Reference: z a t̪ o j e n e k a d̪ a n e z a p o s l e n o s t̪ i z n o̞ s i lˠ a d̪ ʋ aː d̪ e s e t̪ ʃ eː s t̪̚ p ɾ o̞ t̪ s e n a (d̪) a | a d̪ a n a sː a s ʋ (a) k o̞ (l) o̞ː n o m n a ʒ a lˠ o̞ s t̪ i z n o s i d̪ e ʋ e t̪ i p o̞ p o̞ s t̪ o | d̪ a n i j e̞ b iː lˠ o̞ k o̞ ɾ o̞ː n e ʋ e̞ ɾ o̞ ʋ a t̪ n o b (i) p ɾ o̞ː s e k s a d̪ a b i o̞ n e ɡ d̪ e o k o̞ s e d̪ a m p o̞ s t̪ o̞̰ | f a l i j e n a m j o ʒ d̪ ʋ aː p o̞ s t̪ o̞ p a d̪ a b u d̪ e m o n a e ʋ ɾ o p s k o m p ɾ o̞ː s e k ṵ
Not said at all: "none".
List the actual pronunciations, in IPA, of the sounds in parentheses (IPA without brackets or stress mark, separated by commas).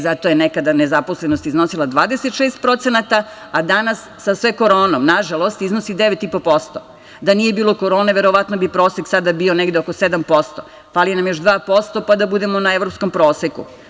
t̪, e, ɾ, i